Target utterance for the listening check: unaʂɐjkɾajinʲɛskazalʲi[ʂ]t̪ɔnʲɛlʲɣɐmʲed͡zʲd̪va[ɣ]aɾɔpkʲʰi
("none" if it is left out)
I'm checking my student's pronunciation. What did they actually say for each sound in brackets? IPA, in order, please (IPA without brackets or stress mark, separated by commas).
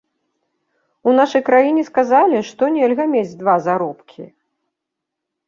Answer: ʂ, z